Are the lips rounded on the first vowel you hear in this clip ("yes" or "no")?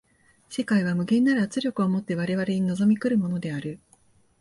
no